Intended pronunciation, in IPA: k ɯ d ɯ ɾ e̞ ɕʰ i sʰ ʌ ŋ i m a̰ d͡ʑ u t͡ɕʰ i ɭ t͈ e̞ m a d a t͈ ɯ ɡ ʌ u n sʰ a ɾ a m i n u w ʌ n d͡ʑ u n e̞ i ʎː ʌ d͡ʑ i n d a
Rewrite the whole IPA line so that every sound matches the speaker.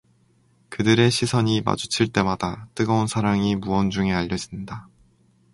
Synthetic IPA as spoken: k ɯ d ɯ ɾ e̞ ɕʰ i sʰ ʌ ɲ i m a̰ d͡ʑ u t͡ɕʰ i ɭ t͈ e̞ m a d a t͈ ɯ ɡ ʌ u n sʰ a ɾ a ŋ i m u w ʌ n d͡ʑ u ŋ e̞ a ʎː ʌ d͡ʑ i n d a